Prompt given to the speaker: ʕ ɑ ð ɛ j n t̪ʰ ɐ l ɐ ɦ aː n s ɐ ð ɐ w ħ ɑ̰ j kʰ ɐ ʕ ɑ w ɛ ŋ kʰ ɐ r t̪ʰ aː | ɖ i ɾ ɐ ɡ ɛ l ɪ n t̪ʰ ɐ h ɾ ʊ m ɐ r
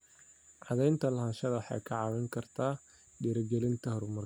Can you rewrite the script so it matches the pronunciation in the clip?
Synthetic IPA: ʕ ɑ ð ɛ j n t̪ʰ ɐ l ɐ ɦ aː n ʃ ɐ ð ɐ w ħ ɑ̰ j kʰ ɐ ʕ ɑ w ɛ ŋ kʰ ɐ r t̪ʰ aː | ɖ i ɾ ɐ ɡ ɛ l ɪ n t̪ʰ ɐ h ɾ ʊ m ɐ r